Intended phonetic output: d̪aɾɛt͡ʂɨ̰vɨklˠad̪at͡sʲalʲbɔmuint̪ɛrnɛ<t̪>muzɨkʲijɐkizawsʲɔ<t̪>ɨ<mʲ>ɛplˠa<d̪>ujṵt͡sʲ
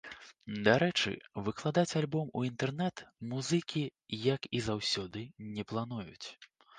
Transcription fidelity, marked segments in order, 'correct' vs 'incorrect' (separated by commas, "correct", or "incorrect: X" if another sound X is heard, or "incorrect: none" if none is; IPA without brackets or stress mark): correct, incorrect: d̪, incorrect: nʲ, incorrect: n̪